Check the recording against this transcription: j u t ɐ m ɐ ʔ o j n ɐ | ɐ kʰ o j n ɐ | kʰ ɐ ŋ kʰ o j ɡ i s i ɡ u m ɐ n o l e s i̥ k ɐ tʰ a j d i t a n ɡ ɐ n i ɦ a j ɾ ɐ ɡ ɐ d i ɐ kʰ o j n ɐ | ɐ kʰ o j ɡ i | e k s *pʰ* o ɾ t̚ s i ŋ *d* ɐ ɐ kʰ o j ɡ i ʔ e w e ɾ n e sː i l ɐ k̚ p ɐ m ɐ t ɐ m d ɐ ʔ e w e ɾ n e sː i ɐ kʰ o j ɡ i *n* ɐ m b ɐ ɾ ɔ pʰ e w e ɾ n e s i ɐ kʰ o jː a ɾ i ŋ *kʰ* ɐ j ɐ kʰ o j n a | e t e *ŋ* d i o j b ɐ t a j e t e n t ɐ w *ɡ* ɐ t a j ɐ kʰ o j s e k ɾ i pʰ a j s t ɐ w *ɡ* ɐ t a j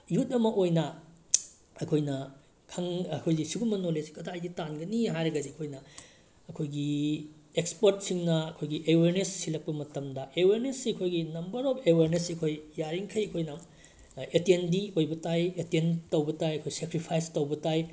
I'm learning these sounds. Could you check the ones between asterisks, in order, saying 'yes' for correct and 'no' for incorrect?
no, no, yes, yes, no, no, no

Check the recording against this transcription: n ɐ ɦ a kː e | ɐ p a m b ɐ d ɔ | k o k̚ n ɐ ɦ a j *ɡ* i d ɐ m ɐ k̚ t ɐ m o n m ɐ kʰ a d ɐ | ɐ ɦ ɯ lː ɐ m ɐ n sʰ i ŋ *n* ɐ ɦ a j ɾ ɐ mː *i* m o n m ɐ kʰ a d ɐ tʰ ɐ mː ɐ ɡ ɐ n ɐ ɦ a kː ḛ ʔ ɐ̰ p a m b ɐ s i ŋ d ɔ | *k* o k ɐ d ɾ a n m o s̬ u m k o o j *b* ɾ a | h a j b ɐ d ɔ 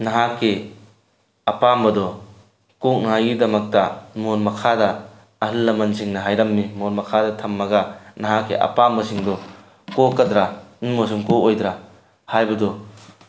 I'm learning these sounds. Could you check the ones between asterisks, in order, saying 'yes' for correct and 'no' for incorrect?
yes, yes, yes, yes, no

